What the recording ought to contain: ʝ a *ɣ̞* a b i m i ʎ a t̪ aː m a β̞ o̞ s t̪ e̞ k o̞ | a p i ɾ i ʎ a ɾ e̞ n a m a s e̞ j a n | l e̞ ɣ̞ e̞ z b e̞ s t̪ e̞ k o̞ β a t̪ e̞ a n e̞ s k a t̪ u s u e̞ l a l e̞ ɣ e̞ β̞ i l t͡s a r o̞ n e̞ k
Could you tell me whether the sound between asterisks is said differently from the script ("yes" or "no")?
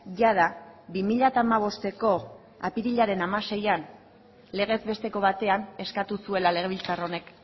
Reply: yes